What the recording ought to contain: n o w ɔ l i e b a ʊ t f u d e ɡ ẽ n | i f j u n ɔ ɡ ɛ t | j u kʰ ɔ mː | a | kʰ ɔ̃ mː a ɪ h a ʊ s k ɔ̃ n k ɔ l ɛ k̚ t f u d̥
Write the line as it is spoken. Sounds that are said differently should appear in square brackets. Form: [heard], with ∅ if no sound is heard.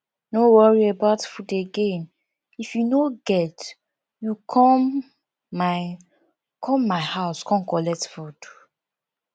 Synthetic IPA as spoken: n o w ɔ [ɹ] i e b a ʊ t f u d e ɡ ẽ n | i f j u n [o] ɡ ɛ t | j u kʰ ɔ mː | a | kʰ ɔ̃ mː a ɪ h a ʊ s k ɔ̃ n k ɔ l ɛ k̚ t f u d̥

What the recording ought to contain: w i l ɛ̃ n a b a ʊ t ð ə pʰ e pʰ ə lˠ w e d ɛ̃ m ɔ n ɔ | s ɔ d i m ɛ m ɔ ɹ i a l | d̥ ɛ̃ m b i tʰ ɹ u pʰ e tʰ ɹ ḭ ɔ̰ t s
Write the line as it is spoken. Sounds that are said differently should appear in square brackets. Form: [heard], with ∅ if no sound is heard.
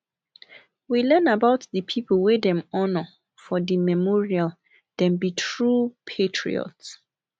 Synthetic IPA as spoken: w i l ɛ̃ n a b a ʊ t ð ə pʰ [i] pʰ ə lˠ w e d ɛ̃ m ɔ n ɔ | [f] ɔ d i m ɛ m ɔ ɹ i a l | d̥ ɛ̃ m b i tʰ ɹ u pʰ e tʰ ɹ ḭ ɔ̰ t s

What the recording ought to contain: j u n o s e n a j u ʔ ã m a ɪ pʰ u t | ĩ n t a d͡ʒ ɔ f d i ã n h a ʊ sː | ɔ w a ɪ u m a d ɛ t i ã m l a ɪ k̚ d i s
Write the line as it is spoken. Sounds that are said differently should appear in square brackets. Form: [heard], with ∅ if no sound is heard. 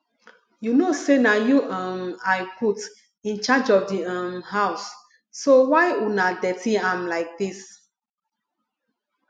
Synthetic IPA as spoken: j u n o s e n a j u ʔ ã m a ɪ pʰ u t | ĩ n [t͡ʃ] a d͡ʒ ɔ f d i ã [m] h a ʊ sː | [o] w a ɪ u [n] a d ɛ t i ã m l a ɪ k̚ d i s

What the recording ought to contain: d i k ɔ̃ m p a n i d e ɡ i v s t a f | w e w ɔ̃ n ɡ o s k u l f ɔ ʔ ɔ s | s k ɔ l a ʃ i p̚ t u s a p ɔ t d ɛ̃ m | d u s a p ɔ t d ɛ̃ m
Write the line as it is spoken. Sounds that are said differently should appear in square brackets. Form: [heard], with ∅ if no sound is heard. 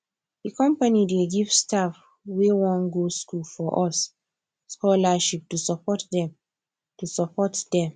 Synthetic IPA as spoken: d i k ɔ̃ m p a n i d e ɡ i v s t a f | w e w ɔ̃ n ɡ o s k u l f ɔ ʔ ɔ s | s k ɔ l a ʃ i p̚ t u s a p ɔ t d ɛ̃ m | [t] u s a p ɔ t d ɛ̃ m

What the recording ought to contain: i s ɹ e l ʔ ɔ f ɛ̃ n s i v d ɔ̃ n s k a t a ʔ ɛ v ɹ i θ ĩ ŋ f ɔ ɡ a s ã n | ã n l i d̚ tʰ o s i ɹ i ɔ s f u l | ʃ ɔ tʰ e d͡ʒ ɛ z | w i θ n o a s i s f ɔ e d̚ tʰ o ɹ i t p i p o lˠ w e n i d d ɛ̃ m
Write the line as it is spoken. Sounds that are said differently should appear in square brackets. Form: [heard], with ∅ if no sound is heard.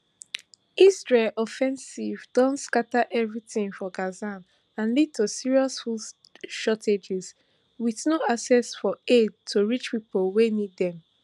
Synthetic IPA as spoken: i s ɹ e l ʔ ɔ f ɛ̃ n s i v d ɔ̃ n s k a t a ʔ ɛ v ɹ i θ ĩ ŋ f ɔ ɡ a [z] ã n | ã n l i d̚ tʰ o s i ɹ i ɔ s f u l | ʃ ɔ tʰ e d͡ʒ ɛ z | w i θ n o a s [ɛ] s f ɔ e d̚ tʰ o ɹ i [t͡ʃ] p i p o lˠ w e n i d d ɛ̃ m

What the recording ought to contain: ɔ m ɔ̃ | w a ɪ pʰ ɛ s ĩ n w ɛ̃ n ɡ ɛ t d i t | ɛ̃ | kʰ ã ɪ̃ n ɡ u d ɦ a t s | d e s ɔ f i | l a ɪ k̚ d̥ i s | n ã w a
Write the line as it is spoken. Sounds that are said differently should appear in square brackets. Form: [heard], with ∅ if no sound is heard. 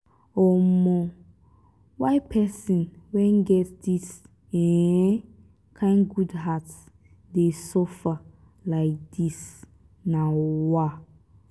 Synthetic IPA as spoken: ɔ m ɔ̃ | w a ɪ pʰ ɛ s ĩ n w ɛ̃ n ɡ ɛ t d i [s] | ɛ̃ | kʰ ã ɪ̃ n ɡ u d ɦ a t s | d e s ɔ f [a] | l a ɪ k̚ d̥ i s | n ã w a

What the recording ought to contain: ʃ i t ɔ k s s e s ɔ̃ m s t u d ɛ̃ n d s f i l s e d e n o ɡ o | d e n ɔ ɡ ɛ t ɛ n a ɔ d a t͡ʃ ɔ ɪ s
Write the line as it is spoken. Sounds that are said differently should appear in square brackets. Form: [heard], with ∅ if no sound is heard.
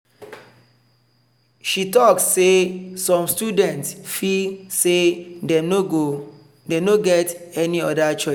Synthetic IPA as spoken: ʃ i t ɔ k s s e s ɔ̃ m s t u d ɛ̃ n [t] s f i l s e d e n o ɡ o | d e n [o] ɡ ɛ t ɛ n [i] ɔ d a t͡ʃ ɔ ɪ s

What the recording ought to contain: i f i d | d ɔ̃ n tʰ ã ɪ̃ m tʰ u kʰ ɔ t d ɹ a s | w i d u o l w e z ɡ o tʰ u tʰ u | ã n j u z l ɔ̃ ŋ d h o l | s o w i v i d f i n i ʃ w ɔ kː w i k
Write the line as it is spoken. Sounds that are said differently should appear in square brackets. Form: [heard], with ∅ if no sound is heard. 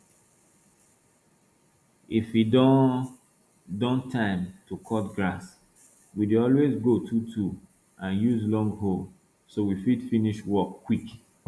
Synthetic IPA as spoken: i f i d | d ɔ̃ n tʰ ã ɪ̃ m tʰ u kʰ ɔ t [ɡ] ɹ a s | w i d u [ɔ] l w e z ɡ o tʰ u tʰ u | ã n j u z l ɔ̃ ŋ [ɡ] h o l | s o w i [f] i d f i n i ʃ w ɔ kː w i k

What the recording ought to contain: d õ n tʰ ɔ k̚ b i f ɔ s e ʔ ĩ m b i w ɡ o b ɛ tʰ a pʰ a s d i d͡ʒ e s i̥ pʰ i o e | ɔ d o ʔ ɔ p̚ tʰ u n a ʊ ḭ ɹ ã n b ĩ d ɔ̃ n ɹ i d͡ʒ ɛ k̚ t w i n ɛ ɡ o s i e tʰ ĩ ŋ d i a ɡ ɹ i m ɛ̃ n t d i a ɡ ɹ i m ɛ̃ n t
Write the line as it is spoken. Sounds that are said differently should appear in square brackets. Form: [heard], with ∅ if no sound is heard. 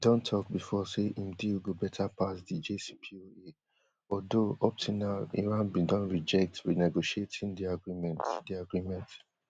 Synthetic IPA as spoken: d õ n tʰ ɔ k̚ b i f ɔ s e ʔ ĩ m [d] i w ɡ o b ɛ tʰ a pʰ a s d i d͡ʒ e s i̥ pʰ i o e | ɔ d o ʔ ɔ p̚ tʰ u n a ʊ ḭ ɹ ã n b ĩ d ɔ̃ n ɹ i d͡ʒ ɛ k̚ t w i n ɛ ɡ o [ʃ] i e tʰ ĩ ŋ d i a ɡ ɹ i m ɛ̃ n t d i a ɡ ɹ i m ɛ̃ n t

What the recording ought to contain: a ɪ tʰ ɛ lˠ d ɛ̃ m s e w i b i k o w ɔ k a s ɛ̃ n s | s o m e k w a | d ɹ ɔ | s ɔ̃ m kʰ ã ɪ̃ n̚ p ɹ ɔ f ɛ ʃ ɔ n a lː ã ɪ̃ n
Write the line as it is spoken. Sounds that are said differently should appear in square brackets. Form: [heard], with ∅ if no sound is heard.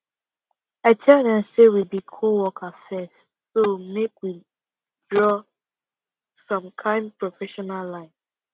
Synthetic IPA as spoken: a ɪ tʰ ɛ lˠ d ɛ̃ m s e w i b i [kʰ] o w ɔ k a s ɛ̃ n s | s o m e k w [i] | d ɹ ɔ | s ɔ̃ m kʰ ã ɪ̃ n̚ p ɹ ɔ f ɛ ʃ ɔ n a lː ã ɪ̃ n

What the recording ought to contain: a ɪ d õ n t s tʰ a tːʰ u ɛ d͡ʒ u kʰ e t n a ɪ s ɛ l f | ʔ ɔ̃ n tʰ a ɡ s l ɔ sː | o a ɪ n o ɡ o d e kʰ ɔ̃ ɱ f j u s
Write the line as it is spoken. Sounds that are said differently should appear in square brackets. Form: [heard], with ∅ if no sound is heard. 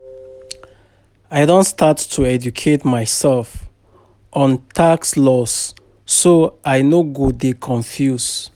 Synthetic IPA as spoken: a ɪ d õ n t s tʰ a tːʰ u ɛ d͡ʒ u kʰ e t [m] a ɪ s ɛ l f | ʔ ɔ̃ n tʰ a [k] s l ɔ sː | o a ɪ n o ɡ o d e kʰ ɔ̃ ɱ f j u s

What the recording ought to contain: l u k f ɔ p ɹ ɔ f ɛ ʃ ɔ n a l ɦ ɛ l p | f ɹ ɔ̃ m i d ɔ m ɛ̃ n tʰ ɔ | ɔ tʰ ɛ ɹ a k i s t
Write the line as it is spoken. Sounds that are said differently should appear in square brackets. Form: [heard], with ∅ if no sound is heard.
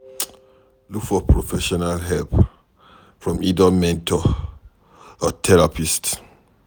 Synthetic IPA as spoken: l u k f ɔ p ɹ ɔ f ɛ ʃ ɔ n a l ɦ ɛ l p | f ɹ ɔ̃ m i d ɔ m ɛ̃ n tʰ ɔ | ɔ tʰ ɛ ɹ a [p] i s t

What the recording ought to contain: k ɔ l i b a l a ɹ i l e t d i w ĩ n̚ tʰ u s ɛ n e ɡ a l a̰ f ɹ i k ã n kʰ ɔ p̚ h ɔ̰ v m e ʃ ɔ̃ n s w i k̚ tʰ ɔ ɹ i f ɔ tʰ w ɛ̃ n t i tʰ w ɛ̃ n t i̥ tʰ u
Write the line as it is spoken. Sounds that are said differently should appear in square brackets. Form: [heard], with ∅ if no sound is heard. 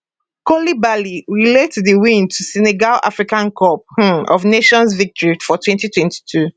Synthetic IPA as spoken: k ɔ l i b a l [i] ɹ i l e t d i w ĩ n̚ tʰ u s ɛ n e ɡ a l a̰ f ɹ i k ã n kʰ ɔ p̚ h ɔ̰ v [n] e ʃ ɔ̃ n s [v] i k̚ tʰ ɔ ɹ i f ɔ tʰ w ɛ̃ n t i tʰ w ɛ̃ n t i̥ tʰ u

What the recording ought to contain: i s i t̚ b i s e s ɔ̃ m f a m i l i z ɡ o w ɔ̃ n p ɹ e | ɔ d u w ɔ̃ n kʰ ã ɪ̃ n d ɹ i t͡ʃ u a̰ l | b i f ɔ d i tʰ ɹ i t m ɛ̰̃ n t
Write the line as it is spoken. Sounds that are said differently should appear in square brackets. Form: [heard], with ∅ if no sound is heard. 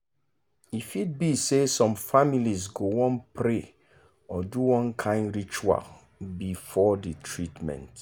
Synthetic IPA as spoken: i [f] i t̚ b i s e s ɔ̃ m f a m i l i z ɡ o w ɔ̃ n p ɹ e | ɔ d u w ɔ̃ n kʰ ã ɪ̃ n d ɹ i t͡ʃ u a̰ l | b i f ɔ d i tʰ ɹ i t m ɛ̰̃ n t

